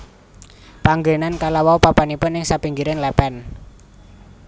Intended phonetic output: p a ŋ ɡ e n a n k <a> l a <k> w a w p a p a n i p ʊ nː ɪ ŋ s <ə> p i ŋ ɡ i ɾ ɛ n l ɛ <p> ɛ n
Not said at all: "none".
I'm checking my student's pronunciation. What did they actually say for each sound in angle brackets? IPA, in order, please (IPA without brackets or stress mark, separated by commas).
a, none, a, p